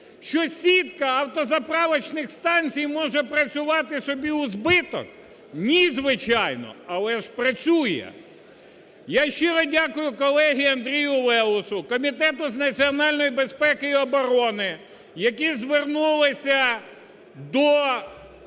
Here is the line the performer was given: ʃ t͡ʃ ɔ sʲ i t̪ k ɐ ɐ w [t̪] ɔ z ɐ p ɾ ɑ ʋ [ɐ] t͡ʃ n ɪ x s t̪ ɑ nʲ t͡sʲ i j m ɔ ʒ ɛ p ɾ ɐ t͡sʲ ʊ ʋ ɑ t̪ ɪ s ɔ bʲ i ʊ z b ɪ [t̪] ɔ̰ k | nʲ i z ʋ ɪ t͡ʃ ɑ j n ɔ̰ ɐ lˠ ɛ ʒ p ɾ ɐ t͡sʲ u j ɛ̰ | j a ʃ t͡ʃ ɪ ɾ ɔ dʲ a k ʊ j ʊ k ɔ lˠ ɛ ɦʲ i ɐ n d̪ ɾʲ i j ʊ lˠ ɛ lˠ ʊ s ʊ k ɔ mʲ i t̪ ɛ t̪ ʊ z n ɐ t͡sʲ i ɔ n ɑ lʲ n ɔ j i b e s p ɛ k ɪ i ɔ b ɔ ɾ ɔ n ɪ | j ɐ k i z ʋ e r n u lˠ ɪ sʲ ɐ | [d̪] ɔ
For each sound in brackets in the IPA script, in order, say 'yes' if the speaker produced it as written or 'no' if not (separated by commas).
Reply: yes, yes, yes, yes